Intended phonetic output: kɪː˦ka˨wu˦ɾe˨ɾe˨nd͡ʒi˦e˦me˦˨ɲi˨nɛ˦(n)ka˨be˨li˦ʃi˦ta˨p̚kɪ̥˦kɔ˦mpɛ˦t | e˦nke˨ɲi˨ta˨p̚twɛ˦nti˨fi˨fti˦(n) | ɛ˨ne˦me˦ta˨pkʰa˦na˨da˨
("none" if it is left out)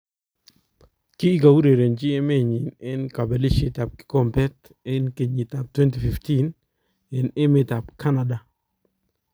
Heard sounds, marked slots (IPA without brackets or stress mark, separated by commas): n, n